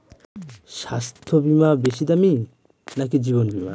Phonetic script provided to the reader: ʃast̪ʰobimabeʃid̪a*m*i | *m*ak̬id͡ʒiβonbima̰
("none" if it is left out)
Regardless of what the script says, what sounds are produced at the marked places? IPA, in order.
m, n

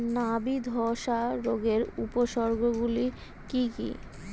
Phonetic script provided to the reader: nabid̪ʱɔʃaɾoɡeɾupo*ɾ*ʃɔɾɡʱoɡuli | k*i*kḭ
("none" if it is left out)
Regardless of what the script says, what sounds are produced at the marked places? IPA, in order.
none, i

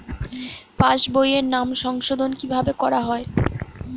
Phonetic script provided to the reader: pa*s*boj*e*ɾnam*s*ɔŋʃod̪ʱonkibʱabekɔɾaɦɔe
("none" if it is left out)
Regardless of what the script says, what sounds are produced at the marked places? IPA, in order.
ʃ, e, ʃ

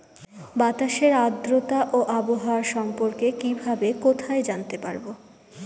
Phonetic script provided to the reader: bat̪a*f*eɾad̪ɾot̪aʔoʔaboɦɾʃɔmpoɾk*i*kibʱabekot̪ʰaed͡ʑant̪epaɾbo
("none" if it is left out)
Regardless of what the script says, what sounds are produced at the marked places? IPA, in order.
ʃ, e

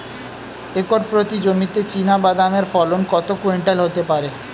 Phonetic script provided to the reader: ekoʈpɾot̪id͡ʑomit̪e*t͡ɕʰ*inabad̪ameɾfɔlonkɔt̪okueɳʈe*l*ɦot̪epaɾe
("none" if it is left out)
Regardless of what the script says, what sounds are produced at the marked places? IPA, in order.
t͡ɕ, l

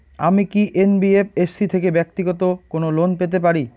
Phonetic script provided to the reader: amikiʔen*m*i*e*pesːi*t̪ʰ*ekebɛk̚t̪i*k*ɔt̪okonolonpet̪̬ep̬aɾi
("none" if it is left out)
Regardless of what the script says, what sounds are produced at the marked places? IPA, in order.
b, e, t̪ʰ, ɡ

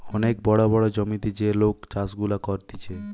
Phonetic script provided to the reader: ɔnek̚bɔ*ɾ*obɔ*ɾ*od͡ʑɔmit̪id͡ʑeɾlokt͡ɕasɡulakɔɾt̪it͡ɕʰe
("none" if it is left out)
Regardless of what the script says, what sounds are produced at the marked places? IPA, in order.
ɽ, ɽ

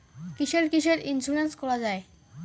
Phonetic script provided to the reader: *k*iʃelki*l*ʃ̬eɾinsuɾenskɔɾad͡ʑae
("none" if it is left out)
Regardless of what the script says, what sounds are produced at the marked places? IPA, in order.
k, none

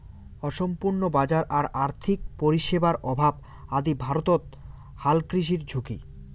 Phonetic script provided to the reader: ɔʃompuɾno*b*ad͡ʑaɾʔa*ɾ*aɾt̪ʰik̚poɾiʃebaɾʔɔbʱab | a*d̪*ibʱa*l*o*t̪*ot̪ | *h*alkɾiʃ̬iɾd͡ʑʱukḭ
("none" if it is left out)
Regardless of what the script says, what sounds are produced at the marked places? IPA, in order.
b, ɾ, d̪, ɾ, t̪, h

